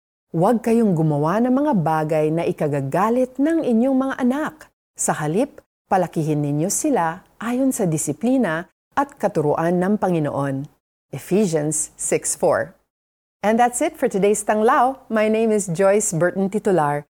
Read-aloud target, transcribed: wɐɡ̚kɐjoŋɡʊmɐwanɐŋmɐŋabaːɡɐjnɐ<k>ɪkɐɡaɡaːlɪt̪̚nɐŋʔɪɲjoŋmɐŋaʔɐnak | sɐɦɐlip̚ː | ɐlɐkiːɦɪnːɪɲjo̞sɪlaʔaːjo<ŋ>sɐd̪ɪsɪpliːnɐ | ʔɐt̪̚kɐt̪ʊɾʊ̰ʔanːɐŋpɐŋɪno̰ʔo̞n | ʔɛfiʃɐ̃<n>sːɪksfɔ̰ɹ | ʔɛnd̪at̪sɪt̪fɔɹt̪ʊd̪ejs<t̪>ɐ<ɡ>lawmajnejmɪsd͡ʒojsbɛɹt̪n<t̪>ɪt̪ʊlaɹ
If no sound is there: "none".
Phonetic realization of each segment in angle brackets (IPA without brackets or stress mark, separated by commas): ʔ, n, n, t̪, ŋ, t̪